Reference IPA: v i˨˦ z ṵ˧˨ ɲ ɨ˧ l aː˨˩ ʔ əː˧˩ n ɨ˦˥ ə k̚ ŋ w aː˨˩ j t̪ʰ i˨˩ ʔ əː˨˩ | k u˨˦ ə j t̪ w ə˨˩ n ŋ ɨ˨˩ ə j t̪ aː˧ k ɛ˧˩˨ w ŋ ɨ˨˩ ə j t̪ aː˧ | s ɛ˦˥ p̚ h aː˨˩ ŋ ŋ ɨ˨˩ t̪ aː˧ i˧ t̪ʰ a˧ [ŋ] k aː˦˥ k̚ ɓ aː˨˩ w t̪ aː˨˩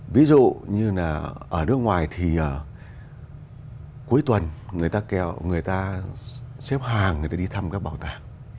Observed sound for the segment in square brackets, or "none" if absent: m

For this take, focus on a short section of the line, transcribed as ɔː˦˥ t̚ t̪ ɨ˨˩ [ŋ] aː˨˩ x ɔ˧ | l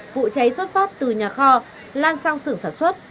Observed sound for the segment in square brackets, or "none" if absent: ɲ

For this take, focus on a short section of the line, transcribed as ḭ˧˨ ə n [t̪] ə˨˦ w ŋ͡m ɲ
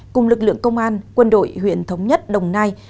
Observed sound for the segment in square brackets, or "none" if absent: t̪ʰ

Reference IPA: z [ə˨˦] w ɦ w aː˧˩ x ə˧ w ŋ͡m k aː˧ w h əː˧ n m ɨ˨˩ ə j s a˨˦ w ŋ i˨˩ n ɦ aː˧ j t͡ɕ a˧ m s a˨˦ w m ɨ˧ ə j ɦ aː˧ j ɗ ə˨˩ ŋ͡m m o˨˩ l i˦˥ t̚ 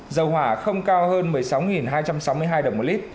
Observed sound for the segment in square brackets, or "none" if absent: ə˨˩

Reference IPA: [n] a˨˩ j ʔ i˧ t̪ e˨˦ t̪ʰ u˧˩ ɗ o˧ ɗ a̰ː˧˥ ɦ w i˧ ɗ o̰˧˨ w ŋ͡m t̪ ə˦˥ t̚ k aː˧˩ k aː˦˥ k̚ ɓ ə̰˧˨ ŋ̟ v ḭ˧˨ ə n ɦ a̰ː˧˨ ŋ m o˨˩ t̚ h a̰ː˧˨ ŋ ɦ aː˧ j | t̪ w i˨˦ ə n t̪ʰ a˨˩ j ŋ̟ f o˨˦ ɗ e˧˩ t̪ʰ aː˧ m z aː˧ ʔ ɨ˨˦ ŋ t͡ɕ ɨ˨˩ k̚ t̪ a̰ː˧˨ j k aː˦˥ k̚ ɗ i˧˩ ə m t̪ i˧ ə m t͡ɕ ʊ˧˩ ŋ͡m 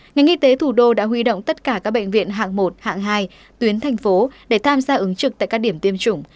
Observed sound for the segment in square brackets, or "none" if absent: ŋ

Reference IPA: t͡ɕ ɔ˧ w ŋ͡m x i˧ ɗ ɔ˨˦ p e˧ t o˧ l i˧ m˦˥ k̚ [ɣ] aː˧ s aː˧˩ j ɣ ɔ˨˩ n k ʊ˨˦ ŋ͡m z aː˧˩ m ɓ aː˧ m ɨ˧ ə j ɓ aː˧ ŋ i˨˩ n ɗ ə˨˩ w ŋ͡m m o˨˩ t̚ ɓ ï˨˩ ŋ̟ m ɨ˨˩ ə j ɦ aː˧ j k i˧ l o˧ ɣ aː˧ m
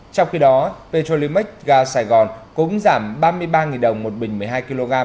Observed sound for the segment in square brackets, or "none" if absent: ɣ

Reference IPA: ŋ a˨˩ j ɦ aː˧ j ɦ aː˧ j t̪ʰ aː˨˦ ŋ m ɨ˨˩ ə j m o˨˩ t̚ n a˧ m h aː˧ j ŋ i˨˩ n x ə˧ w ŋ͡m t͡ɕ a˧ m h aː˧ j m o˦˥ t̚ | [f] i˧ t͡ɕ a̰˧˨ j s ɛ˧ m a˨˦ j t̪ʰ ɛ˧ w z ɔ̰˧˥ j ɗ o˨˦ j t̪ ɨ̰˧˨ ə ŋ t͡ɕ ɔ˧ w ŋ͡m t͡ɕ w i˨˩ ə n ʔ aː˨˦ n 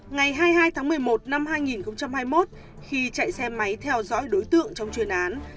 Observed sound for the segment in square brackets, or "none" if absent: x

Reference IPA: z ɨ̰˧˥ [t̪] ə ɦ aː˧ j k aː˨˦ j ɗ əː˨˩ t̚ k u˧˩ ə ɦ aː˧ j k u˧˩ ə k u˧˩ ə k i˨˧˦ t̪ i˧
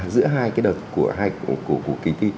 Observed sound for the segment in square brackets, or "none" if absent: none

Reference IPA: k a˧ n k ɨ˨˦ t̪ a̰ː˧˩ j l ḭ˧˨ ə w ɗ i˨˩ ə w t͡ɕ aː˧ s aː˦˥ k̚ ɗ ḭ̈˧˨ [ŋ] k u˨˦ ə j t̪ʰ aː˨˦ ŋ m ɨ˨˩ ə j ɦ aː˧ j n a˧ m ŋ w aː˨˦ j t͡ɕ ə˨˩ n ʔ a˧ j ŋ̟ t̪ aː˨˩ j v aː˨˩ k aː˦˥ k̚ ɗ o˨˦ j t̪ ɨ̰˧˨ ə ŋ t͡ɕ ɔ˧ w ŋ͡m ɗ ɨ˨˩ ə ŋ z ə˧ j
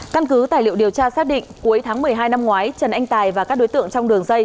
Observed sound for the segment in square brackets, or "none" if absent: ŋ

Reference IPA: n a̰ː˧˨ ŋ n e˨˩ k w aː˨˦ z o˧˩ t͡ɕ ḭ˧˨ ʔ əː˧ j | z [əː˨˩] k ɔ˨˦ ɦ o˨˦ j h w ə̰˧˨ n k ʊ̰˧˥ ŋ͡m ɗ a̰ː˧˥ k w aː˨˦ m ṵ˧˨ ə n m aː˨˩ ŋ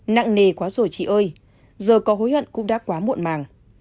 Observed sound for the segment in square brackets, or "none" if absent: əː˨˩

